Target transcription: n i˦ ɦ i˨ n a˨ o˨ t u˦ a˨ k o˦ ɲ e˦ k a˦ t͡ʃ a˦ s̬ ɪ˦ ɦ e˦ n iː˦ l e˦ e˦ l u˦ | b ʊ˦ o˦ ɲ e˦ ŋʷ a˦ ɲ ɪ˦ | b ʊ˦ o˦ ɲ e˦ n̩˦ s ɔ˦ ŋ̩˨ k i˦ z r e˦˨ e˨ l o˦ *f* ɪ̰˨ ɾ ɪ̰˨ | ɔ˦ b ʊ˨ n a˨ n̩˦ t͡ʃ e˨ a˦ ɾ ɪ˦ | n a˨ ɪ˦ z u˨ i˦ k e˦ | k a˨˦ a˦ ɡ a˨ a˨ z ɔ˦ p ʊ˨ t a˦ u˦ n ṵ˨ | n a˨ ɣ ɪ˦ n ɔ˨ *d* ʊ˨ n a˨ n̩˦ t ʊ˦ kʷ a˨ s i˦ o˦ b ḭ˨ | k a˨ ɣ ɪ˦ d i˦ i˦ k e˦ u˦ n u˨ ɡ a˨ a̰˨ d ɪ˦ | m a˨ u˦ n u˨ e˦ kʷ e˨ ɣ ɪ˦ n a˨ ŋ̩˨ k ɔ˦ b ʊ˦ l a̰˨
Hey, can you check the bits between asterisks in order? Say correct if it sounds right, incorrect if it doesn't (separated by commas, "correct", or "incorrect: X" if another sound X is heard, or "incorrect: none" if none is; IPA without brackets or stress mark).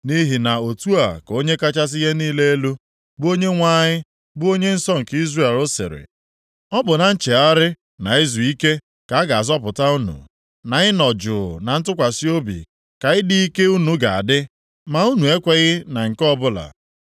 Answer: incorrect: s, incorrect: d͡ʒ